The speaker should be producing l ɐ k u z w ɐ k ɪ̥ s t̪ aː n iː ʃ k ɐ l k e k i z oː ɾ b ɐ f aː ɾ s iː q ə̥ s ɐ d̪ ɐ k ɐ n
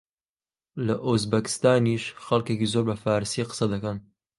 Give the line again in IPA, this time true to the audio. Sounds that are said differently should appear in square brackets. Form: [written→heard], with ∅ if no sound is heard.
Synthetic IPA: l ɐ [k→ʔ] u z [w→b] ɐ k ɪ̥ s t̪ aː n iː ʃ [k→x] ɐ l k e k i z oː ɾ b ɐ f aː ɾ s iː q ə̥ s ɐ d̪ ɐ k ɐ n